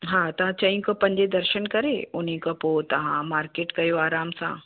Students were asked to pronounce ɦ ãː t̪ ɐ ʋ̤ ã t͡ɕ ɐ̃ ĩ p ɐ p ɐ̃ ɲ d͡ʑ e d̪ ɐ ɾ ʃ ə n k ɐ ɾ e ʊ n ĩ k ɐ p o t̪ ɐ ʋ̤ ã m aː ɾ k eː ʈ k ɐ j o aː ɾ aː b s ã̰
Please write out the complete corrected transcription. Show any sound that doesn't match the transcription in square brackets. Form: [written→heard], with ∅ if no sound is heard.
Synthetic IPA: ɦ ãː t̪ ɐ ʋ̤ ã t͡ɕ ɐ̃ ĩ [p→k] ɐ p ɐ̃ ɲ d͡ʑ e d̪ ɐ ɾ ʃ ə n k ɐ ɾ e ʊ n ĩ k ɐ p o t̪ ɐ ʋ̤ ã m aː ɾ k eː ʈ k ɐ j o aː ɾ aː [b→m] s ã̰